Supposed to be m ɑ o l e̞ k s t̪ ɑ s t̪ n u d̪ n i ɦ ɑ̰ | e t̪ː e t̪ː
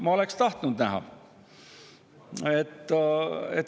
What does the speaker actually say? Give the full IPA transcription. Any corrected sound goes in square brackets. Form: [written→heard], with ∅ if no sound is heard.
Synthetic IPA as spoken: m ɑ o l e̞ k s t̪ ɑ [s→h] t̪ n u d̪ n [i→æ] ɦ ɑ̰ | e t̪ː e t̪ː